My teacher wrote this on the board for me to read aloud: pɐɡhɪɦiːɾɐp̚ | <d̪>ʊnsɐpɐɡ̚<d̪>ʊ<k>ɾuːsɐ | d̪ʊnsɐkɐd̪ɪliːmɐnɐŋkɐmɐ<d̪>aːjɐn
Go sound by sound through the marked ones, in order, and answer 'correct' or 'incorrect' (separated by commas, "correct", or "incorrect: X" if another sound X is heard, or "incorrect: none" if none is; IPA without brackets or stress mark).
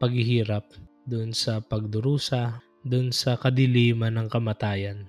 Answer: correct, correct, incorrect: none, incorrect: t̪